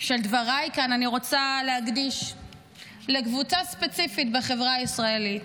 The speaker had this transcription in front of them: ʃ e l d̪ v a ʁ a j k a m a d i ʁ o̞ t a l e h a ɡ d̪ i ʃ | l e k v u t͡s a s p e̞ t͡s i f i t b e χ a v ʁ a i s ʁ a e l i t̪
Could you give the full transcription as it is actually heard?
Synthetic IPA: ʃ e l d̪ v a ʁ a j k a n a n i ʁ o̞ t͡s a l e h a ɡ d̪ i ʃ | l e k v u t͡s a s p e̞ t͡s i f i t b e χ e v ʁ a i s ʁ a e l i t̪